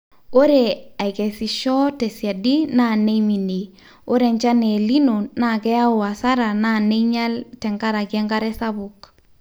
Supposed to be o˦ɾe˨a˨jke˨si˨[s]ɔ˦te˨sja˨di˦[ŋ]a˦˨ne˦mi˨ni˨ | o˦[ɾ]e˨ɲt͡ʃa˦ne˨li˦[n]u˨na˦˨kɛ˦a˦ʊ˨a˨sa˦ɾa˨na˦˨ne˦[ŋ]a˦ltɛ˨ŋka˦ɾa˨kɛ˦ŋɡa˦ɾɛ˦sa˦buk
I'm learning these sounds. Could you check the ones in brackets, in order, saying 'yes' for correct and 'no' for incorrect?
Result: no, no, yes, yes, no

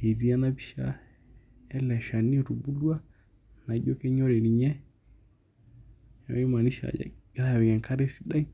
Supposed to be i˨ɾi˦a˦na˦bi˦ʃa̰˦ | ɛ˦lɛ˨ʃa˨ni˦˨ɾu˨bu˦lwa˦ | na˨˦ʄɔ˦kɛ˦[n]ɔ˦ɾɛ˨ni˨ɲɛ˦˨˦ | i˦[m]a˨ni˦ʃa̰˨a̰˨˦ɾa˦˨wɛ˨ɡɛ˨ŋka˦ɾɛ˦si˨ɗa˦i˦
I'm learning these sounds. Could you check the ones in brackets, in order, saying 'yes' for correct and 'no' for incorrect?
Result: no, yes

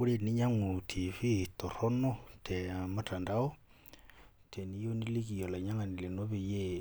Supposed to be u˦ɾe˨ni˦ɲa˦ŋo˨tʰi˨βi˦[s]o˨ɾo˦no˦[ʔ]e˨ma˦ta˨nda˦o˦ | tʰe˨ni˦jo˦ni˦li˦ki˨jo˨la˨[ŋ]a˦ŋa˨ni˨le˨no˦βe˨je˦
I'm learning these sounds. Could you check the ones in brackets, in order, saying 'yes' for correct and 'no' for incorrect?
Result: no, no, no

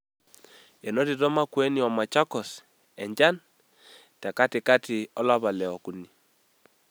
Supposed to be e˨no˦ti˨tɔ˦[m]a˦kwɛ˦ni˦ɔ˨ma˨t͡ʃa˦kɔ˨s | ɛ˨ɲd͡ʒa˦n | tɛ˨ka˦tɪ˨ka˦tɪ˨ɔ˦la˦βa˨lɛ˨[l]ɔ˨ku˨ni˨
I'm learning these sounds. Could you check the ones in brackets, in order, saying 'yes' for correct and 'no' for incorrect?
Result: yes, no

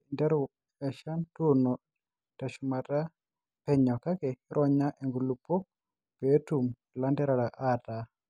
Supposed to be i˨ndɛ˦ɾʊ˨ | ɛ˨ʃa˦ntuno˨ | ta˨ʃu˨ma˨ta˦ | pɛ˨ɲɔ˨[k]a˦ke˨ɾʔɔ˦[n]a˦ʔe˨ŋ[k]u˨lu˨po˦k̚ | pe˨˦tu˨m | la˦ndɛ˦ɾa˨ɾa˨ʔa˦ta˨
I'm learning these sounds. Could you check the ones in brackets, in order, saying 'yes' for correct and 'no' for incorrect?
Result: yes, no, no

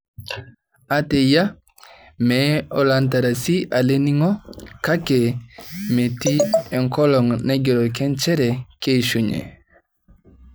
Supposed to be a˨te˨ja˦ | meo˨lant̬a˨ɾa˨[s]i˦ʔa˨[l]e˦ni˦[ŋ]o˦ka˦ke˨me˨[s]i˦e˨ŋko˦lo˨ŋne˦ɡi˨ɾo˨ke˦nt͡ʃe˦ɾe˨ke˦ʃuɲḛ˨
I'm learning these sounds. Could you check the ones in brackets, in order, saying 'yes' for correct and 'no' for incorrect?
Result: yes, yes, yes, no

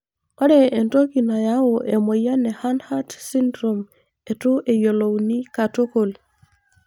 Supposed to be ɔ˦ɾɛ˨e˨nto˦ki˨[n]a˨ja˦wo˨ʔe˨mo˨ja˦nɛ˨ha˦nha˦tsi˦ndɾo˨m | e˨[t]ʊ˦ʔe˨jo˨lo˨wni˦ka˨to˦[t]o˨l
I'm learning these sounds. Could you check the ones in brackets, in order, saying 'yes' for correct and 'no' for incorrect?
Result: yes, yes, no

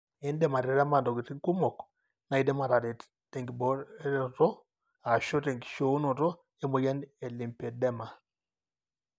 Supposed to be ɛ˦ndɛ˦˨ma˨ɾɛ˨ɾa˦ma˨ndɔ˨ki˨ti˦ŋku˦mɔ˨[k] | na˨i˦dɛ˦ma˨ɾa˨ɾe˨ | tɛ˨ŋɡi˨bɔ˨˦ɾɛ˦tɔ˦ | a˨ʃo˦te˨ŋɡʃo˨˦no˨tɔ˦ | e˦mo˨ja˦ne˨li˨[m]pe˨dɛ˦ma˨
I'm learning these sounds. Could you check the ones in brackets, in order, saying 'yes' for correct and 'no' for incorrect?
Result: yes, yes

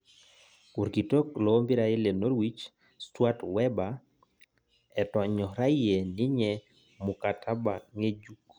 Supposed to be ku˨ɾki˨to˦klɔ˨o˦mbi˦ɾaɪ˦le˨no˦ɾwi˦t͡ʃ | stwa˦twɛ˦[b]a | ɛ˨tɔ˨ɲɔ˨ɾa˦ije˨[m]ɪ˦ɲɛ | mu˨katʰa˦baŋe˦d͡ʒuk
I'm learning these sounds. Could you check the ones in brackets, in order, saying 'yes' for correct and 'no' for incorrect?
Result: yes, no

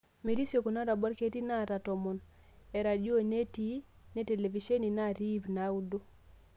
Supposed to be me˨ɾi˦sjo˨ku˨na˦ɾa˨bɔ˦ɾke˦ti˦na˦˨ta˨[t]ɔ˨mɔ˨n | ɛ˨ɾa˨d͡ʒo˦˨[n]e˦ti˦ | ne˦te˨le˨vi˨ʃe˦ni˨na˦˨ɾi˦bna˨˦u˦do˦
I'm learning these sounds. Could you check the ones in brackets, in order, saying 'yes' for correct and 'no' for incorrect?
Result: yes, yes

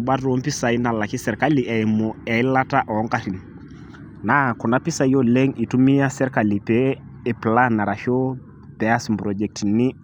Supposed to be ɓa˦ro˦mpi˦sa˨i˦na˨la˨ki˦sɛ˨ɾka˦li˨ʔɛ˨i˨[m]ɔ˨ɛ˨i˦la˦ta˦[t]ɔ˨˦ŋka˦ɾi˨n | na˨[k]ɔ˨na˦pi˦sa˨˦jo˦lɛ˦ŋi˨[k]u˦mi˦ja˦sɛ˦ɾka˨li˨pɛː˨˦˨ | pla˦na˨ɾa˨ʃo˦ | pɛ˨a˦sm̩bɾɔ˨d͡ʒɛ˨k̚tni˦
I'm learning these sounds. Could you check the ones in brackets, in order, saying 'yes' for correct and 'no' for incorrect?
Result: yes, no, yes, no

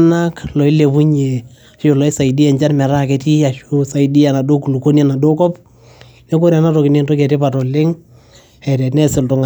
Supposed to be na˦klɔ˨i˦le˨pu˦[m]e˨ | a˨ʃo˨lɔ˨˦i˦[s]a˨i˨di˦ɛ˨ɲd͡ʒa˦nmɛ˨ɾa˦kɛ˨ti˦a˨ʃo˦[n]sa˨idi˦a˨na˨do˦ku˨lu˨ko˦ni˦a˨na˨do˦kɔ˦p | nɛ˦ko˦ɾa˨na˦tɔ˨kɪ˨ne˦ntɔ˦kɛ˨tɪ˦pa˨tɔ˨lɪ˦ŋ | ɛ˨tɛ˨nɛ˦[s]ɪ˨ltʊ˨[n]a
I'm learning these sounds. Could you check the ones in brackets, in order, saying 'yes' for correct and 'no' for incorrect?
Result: no, yes, no, yes, no

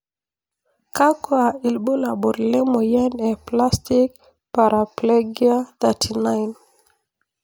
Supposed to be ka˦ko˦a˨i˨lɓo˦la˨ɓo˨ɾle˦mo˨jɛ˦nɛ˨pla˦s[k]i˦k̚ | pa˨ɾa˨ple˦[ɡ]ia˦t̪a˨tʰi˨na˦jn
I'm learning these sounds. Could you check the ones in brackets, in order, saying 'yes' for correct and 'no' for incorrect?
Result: no, yes

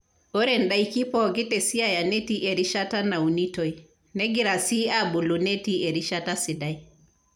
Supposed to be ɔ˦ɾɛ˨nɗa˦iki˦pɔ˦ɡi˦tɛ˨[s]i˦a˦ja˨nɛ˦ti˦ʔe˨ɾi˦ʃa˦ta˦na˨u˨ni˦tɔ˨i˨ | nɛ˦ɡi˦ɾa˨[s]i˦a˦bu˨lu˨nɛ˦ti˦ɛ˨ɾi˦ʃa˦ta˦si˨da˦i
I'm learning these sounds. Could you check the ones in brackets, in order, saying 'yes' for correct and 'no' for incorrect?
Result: yes, yes

